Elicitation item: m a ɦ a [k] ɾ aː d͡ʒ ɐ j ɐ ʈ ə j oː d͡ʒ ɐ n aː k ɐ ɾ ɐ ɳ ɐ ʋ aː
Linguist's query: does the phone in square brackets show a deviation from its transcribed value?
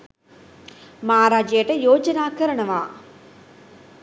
yes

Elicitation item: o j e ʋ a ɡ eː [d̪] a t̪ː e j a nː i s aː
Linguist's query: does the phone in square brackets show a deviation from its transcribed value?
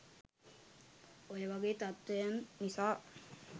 yes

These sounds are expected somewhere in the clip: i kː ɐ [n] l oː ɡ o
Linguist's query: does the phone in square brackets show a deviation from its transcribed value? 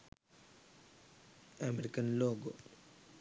no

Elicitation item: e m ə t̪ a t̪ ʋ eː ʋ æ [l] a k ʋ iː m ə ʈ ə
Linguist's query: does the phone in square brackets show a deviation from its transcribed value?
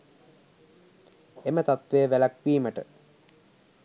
no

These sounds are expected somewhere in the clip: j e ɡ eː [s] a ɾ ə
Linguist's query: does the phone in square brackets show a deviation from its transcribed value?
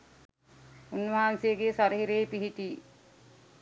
no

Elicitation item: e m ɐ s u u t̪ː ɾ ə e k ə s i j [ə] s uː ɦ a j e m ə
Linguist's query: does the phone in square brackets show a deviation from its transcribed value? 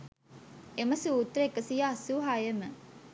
yes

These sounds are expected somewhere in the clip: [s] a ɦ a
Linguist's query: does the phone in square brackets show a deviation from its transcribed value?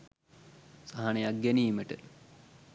no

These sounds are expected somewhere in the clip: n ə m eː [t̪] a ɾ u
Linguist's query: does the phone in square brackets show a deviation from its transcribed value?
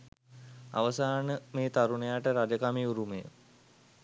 no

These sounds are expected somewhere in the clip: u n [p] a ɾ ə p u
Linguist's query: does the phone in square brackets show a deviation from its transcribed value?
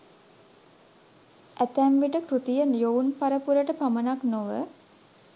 no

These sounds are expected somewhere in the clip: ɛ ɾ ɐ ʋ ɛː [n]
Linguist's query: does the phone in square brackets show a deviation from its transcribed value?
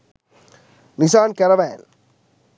no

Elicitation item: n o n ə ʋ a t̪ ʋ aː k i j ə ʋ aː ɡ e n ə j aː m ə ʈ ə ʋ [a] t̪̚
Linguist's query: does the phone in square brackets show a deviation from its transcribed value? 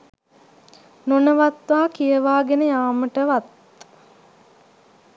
no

